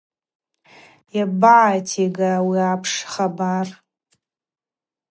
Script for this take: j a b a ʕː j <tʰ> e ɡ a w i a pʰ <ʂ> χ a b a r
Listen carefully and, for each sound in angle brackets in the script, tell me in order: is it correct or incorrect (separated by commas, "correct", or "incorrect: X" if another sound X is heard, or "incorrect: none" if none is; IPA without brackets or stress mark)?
correct, correct